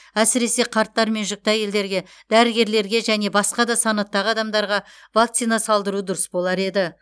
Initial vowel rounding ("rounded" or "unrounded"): unrounded